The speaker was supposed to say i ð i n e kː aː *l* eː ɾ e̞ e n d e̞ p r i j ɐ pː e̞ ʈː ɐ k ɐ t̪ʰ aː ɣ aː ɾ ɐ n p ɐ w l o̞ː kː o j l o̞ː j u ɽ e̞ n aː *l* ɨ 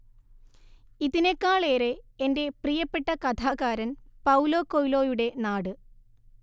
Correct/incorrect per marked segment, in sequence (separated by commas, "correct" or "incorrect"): incorrect, incorrect